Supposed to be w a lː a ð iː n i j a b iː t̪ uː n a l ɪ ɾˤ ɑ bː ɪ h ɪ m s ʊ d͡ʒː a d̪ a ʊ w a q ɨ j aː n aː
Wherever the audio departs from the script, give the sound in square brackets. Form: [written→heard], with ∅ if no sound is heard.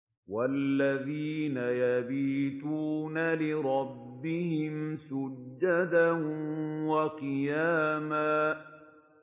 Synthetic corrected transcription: w a lː a ð iː n [i→a] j a b iː t̪ uː n a l ɪ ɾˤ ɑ bː ɪ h ɪ m s ʊ d͡ʒː a d̪ a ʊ w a q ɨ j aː [n→m] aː